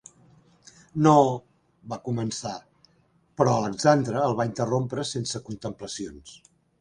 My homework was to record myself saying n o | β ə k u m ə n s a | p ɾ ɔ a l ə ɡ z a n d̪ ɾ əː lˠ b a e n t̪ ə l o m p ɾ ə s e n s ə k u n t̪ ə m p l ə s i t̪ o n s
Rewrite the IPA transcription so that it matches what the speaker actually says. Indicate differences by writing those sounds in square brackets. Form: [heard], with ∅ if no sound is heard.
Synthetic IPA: n o | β [a] k u m ə n s a | p ɾ ɔ [ə] l ə ɡ z a n d̪ ɾ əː lˠ [β] a [i] n t̪ ə [r] o m p ɾ ə s e n s ə k u n t̪ ə m p l ə s i [∅] o n s